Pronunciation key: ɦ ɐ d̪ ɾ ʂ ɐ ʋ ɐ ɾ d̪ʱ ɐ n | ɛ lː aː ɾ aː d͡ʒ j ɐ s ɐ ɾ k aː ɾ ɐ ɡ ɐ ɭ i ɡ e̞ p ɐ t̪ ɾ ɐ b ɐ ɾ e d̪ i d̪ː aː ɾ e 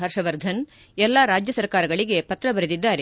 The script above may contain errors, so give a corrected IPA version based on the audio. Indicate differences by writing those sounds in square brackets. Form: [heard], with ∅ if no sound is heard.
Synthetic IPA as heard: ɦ ɐ [∅] ɾ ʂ ɐ ʋ ɐ ɾ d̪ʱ ɐ n | ɛ lː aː ɾ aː d͡ʒ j ɐ s ɐ ɾ k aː ɾ ɐ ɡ ɐ ɭ i ɡ e̞ p ɐ t̪ ɾ ɐ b ɐ ɾ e d̪ i d̪ː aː ɾ e